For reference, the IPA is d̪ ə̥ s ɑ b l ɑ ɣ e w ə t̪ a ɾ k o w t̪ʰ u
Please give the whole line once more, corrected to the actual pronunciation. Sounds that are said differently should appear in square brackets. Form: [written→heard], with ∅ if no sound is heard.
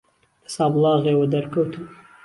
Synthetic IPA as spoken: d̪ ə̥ s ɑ b l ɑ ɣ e w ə [t̪→d̪] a ɾ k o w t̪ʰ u